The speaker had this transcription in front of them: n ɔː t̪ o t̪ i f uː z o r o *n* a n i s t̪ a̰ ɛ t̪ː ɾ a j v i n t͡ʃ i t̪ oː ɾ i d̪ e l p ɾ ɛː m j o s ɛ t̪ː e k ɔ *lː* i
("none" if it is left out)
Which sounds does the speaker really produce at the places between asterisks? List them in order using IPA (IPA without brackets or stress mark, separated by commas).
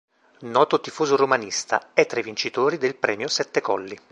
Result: m, lː